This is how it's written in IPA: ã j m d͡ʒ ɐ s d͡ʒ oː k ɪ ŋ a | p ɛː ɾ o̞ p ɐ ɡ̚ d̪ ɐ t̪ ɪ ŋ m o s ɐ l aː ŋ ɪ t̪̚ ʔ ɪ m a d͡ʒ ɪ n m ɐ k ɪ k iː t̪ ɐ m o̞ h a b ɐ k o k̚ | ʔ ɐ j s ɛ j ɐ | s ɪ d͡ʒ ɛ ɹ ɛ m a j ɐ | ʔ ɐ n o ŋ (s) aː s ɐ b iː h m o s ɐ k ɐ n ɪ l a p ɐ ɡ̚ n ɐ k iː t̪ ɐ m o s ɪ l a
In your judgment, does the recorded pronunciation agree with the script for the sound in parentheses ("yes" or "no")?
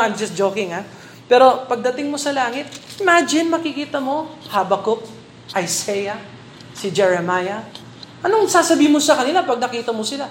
yes